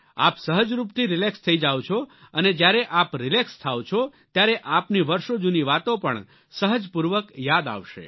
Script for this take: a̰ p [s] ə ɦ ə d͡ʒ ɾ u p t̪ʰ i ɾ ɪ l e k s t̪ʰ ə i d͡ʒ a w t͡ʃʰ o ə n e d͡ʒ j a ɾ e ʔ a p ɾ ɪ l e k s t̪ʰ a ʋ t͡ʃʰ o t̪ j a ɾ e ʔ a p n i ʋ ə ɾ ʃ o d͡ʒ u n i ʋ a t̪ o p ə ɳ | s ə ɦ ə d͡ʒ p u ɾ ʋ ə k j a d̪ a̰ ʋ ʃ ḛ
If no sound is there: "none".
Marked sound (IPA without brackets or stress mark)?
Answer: s